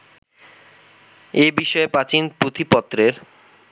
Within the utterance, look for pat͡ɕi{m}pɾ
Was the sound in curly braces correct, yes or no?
no